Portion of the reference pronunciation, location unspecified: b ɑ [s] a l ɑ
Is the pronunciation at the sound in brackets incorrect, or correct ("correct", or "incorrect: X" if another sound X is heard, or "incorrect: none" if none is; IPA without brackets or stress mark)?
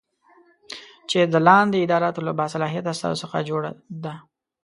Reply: correct